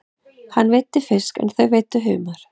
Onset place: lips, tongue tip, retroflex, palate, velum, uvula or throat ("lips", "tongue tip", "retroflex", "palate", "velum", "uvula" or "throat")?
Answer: throat